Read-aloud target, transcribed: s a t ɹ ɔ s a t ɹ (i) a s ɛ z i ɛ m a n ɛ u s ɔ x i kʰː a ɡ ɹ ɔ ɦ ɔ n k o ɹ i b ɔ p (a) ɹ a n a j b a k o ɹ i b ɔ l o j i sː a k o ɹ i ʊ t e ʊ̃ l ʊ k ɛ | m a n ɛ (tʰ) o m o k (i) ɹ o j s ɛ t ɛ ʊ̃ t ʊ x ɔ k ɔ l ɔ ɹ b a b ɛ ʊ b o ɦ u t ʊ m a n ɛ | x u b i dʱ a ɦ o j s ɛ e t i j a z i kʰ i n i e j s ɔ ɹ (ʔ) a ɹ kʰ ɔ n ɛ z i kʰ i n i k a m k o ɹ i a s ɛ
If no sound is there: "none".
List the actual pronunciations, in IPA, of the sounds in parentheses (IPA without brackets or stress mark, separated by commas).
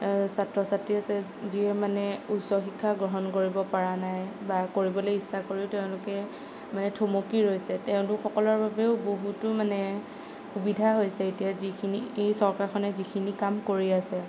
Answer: i, a, tʰ, i, k